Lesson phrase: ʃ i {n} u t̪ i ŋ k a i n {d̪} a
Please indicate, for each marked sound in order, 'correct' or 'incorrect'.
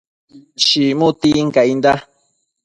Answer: incorrect, correct

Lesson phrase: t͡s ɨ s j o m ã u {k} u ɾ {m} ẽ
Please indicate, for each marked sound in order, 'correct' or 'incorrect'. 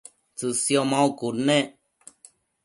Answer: correct, incorrect

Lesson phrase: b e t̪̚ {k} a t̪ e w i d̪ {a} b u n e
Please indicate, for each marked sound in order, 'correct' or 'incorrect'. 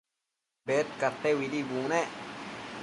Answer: correct, incorrect

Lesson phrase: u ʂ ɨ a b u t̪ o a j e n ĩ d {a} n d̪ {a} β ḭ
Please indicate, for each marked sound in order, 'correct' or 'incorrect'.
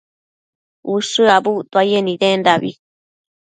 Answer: incorrect, correct

